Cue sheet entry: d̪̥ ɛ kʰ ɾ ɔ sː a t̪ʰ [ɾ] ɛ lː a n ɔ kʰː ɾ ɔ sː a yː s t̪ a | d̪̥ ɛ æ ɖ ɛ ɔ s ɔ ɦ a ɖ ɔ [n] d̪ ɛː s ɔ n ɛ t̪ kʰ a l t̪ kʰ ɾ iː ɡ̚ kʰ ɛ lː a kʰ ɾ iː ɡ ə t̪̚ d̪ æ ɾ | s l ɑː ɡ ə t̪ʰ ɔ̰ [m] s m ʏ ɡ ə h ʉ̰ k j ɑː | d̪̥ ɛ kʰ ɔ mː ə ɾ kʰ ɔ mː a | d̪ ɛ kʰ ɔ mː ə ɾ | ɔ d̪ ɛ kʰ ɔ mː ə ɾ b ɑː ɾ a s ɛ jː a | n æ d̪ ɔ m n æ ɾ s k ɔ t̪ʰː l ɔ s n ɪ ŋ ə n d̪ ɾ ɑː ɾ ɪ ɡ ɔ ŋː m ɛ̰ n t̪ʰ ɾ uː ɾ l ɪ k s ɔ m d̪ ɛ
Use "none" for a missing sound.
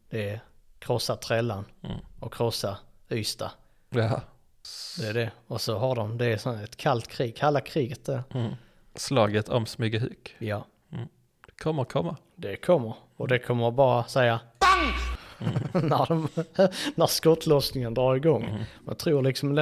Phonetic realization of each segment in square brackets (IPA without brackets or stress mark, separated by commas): ɾ, m, m